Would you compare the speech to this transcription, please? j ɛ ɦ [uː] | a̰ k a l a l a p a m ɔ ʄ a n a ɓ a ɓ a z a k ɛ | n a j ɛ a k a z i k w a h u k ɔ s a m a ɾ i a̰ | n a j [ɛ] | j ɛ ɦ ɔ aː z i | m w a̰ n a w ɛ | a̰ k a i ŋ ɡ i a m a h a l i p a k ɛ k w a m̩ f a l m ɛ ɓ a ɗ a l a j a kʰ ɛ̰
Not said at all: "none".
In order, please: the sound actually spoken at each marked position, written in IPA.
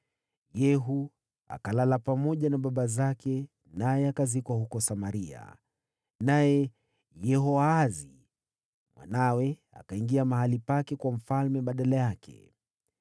u, ɛ

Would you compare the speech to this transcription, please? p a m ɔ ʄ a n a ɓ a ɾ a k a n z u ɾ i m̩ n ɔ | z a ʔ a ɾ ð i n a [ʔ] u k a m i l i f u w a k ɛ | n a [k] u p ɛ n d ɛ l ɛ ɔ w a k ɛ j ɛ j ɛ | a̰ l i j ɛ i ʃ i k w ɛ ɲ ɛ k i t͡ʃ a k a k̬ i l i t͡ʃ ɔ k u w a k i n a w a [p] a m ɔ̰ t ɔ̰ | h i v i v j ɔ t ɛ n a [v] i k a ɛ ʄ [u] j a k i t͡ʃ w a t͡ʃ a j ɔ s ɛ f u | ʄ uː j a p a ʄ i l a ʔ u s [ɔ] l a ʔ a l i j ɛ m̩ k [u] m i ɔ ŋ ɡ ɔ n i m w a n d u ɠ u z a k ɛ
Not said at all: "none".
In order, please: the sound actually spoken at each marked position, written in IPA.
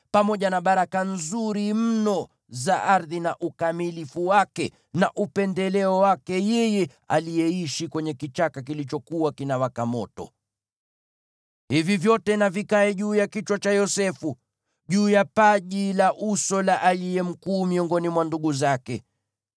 ʔ, ʔ, k, v, uː, ɔ, uː

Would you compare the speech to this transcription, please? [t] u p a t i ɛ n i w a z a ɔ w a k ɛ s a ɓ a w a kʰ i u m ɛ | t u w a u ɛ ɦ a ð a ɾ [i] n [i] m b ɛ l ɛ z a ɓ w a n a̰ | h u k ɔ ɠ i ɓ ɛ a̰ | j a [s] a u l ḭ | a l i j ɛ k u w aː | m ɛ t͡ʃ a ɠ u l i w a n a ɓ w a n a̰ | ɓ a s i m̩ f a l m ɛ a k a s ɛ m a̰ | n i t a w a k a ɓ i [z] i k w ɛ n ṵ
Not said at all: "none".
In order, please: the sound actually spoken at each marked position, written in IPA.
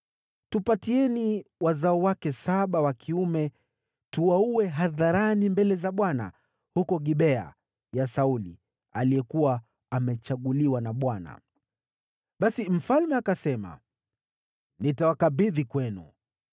t, a, i, s, ð

